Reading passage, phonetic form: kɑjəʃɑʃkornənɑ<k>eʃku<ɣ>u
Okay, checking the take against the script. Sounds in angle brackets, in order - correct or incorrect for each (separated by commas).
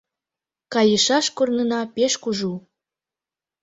incorrect, incorrect